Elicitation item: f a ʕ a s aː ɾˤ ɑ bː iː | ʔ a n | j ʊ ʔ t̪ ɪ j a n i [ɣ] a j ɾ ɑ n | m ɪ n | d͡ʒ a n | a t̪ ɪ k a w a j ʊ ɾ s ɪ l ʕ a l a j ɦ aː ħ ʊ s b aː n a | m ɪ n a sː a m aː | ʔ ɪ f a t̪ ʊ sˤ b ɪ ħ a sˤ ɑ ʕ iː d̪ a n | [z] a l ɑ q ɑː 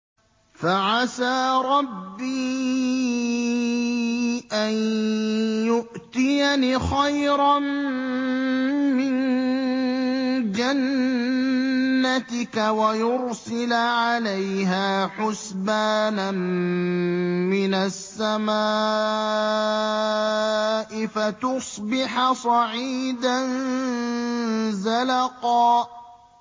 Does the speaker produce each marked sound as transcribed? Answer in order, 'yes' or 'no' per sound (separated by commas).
no, yes